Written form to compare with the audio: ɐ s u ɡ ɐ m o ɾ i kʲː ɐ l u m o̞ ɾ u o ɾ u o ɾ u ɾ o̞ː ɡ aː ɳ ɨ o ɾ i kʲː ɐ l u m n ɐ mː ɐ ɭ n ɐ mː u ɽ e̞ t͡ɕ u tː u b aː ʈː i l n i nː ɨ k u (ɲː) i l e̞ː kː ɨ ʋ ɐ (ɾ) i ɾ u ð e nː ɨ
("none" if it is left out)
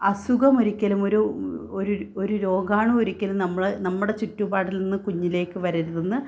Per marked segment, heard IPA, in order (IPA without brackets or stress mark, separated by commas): ɲː, ɾ